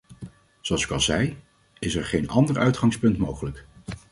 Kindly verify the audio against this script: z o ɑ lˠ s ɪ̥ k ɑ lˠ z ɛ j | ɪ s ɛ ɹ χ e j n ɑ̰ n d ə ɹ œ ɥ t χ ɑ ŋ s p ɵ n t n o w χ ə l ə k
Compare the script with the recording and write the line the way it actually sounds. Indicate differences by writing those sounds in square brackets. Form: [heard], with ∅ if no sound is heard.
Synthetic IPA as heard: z o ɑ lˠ s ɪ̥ k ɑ lˠ z ɛ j | ɪ s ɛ ɹ χ e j n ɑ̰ n d ə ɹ œ ɥ t χ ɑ ŋ s p ɵ n t [m] o w χ ə l ə k

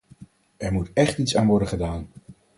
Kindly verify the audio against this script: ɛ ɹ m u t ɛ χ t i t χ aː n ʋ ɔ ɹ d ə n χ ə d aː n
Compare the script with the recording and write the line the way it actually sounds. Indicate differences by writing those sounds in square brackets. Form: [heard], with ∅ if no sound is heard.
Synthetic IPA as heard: ɛ ɹ m u t ɛ χ t i t [s] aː n ʋ ɔ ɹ d ə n χ ə d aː n

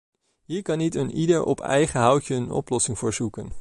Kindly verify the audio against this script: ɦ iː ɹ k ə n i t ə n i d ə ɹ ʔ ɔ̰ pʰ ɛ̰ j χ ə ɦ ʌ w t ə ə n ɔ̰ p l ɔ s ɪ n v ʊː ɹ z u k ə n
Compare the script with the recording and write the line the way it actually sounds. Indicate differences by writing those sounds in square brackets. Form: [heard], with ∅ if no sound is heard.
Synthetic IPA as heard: ɦ iː ɹ k [ɑ] n i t ə n i d ə ɹ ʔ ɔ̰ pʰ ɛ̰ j χ ə ɦ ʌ w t ə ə n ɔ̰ p l ɔ s ɪ [ŋ] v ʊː ɹ z u k ə n

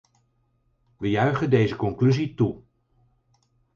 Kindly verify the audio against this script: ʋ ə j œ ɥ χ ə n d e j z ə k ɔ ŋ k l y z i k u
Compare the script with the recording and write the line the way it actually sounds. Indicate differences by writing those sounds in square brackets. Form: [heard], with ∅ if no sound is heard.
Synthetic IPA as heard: ʋ ə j œ ɥ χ ə n d e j z ə k ɔ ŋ k l y z i [t] u

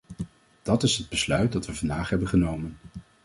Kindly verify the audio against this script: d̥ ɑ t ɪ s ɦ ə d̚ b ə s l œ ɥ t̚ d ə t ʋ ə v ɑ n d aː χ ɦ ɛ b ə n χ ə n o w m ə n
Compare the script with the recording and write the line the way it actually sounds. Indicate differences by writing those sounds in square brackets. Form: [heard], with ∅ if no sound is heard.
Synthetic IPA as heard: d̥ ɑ t ɪ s ɦ ə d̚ b ə s l œ ɥ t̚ d [ɑ] t ʋ ə v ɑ n d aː χ ɦ ɛ b ə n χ ə n o w m ə n

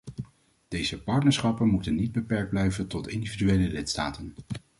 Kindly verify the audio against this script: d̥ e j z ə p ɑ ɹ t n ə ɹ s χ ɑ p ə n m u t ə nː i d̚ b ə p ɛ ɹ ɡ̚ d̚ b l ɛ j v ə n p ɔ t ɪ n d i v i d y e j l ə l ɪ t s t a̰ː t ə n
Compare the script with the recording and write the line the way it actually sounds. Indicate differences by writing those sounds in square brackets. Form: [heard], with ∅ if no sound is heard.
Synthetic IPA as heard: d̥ e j z ə p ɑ ɹ t n ə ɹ s χ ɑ p ə n m u t ə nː i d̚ b ə p ɛ ɹ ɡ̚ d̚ b l ɛ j v ə n [t] ɔ t ɪ n d i v i d y e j l ə l ɪ t s t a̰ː t ə n

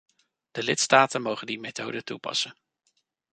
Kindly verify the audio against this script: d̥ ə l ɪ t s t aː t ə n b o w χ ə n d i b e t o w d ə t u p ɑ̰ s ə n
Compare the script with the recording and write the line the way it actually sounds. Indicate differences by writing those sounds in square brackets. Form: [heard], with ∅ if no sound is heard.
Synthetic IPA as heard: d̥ ə l ɪ t s t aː t ə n [m] o w χ ə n d i [m] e t o w d ə t u p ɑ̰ s ə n

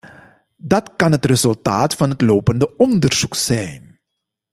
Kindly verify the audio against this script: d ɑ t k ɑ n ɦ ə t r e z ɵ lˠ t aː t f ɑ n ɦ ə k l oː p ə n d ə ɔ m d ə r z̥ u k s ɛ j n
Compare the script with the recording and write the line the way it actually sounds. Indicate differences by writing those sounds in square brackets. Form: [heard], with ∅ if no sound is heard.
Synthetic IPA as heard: d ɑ t k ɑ n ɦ ə t r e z ɵ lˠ t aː t f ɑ n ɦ ə [t] l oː p ə n d ə ɔ [n] d ə r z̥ u k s ɛ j n

